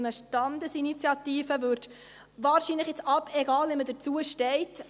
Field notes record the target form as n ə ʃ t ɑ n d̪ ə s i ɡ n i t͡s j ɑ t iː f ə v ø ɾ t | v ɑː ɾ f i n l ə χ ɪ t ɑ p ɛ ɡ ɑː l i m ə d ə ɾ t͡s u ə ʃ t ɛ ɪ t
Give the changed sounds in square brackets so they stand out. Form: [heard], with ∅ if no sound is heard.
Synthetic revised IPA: n ə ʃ t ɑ n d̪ ə s i [∅] n i t͡s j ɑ t iː f ə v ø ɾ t | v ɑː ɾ [ʃ] i n l ə χ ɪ [t͡s] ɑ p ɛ ɡ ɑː l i m ə d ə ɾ t͡s u ə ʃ t ɛ ɪ t